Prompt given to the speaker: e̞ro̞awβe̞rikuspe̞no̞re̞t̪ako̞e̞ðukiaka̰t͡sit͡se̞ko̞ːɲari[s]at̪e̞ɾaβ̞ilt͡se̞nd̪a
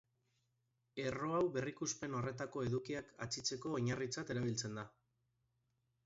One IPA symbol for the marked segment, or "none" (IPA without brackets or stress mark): t͡s